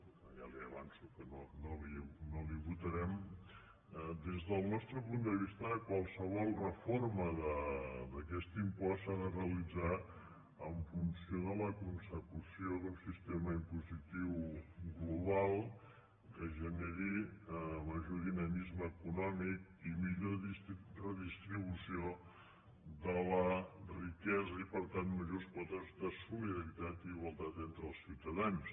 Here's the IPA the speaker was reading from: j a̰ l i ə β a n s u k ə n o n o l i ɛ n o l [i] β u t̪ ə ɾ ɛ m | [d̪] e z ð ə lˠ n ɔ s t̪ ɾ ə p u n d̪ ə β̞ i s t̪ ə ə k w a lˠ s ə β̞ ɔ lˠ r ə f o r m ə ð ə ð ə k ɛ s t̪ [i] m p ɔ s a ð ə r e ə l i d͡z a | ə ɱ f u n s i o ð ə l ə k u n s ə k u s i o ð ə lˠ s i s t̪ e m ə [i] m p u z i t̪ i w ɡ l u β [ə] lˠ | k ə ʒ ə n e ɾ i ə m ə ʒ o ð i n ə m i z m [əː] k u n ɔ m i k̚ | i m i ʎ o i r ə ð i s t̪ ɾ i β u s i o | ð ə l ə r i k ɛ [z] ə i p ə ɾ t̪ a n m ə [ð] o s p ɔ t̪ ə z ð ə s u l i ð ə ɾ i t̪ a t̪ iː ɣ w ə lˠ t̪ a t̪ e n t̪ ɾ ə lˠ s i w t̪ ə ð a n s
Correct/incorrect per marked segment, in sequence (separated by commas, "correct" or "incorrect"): correct, correct, correct, correct, incorrect, correct, correct, incorrect